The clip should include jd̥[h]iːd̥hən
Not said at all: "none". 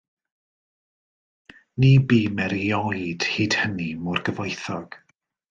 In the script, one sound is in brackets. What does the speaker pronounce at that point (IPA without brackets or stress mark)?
h